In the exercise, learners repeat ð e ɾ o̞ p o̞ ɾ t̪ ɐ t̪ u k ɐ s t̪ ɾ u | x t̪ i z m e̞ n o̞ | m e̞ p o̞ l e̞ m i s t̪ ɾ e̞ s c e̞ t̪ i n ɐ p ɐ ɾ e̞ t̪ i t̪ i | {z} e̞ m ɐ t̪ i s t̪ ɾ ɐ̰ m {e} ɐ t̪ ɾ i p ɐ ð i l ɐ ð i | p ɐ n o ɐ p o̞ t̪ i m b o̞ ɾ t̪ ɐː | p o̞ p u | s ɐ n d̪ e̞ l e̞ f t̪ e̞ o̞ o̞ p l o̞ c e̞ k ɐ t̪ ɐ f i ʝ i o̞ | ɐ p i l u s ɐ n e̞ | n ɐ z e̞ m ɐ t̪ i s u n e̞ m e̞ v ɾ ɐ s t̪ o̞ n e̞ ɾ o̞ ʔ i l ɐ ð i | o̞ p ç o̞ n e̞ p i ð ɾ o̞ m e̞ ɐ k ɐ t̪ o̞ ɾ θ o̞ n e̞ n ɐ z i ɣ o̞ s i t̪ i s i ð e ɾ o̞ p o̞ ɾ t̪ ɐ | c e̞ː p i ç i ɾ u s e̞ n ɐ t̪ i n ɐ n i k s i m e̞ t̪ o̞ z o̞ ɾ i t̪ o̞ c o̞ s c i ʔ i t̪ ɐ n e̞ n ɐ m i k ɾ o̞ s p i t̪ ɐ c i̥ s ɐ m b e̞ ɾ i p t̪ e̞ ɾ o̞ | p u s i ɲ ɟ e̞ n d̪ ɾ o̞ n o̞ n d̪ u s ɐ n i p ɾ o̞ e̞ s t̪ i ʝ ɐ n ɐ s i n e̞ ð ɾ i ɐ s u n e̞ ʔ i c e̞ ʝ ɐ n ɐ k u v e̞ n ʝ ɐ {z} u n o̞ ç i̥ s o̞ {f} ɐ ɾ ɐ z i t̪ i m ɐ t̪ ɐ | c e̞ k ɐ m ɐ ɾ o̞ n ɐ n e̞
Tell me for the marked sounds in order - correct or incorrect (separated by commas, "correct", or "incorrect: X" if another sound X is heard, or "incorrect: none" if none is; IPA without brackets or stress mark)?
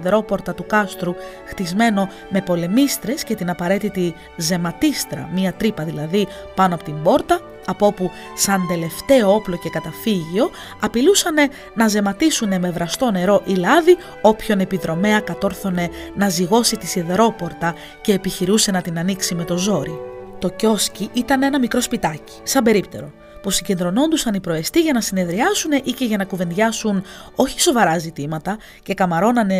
correct, incorrect: i, incorrect: s, incorrect: v